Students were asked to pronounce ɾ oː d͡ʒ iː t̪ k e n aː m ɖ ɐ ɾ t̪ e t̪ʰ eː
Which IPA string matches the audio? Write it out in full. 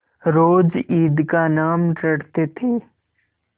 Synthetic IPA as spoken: ɾ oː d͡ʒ iː d̪ k a n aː m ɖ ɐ ɽ t̪ e t̪ʰ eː